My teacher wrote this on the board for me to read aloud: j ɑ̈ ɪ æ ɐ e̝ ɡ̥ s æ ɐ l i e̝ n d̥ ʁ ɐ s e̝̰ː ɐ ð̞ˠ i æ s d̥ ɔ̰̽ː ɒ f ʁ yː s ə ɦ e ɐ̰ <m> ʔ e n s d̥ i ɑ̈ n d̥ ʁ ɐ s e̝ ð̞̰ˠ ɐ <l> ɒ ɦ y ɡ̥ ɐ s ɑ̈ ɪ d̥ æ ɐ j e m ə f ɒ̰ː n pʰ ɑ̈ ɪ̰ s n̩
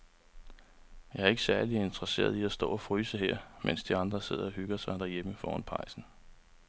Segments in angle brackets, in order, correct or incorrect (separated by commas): correct, incorrect